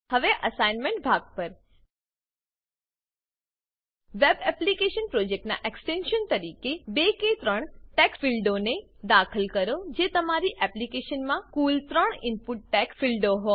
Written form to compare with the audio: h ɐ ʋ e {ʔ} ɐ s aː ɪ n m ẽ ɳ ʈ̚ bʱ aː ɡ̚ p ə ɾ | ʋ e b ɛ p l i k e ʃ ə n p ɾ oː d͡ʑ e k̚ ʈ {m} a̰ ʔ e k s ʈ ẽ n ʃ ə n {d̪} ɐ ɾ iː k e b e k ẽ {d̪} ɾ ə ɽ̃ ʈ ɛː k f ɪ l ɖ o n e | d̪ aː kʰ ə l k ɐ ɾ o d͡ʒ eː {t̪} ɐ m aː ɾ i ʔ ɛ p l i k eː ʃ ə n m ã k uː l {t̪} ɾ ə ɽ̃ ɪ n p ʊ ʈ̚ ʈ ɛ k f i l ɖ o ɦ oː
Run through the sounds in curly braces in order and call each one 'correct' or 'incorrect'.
correct, incorrect: n, incorrect: t̪, incorrect: t̪, correct, correct

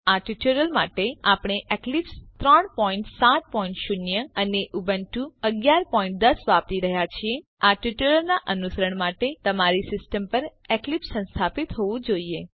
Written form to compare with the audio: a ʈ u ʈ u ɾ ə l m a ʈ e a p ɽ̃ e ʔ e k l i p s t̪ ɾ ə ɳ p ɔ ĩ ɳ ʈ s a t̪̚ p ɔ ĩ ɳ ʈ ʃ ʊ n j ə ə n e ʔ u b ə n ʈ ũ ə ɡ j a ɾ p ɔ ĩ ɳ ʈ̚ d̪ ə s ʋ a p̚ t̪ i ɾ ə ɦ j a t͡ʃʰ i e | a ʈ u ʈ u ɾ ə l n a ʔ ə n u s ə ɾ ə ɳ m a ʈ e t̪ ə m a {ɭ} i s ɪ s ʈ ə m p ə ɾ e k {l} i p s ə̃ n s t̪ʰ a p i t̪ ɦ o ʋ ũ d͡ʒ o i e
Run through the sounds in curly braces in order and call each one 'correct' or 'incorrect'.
incorrect: ɾ, correct

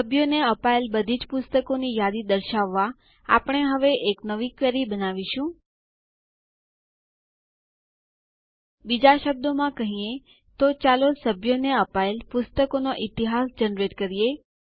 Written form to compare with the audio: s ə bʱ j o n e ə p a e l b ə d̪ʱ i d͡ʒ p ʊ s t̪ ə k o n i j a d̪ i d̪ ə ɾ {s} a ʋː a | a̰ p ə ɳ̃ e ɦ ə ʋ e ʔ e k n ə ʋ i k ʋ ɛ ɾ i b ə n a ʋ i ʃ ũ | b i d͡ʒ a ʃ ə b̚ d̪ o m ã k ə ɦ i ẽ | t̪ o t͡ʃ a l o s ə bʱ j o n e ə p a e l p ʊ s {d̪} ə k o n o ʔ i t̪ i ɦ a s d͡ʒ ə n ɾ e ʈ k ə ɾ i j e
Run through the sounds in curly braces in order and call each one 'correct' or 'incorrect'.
incorrect: ʃ, incorrect: t̪

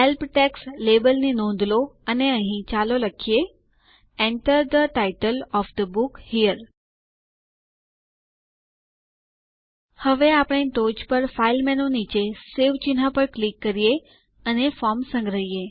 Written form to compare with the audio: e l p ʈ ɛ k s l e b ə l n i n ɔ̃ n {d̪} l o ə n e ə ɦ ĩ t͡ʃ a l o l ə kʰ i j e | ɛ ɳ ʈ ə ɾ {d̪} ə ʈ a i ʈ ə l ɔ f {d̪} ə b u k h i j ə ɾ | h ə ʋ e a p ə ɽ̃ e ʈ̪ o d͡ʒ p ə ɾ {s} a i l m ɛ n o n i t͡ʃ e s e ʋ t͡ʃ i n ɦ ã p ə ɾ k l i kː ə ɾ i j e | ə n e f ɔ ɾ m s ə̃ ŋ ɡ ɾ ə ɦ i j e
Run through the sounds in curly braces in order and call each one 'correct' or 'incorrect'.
correct, correct, correct, incorrect: f

